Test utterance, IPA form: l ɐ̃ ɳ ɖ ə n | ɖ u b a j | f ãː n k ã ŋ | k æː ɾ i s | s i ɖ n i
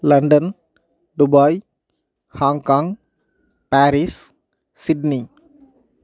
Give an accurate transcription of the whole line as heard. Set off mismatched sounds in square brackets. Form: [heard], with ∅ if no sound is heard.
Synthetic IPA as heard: l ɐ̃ ɳ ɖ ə n | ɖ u b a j | [h] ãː [ŋ] k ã ŋ | [p] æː ɾ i s | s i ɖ n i